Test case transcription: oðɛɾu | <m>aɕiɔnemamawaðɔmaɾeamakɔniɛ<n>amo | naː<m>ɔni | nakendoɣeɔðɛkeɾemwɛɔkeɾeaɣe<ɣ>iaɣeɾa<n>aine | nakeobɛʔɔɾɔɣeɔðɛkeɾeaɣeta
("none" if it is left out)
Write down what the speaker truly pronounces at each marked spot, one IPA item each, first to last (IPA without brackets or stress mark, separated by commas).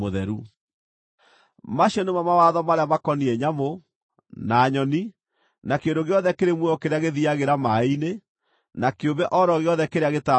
m, ɲ, ɲ, ð, m